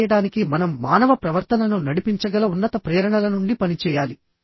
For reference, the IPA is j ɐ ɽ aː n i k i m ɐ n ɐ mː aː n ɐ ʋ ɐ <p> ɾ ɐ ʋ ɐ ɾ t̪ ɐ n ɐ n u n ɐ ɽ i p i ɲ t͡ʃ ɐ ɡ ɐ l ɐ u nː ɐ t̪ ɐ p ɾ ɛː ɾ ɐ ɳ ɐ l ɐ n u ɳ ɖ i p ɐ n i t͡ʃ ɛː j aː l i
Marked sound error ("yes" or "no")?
no